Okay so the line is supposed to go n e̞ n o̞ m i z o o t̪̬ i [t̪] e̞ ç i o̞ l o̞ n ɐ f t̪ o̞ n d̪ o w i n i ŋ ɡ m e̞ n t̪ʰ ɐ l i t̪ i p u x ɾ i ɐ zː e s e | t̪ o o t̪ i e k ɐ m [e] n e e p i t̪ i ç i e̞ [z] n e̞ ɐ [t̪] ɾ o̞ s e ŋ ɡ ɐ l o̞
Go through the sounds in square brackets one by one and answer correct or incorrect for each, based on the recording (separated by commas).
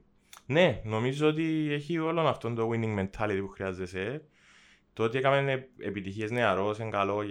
incorrect, correct, correct, incorrect